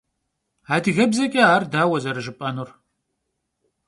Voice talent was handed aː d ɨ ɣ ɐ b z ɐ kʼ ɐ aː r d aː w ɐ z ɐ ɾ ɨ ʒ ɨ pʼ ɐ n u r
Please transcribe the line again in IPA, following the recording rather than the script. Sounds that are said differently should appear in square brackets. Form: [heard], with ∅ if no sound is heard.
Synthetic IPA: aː d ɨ ɣ ɐ b z ɐ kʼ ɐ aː r d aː w ɐ z ɐ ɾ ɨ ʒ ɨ pʼ ɐ n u r